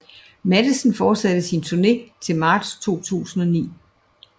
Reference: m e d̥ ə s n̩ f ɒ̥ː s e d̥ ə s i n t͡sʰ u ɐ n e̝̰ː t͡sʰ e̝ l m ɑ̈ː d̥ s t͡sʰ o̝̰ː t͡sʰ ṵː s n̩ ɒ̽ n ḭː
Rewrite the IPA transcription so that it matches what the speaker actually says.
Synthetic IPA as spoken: m æ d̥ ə s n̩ f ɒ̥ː s æ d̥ ə s i n t͡sʰ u ɐ n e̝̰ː t͡sʰ e̝ l m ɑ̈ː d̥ s t͡sʰ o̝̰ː t͡sʰ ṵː s n̩ ɒ̽ n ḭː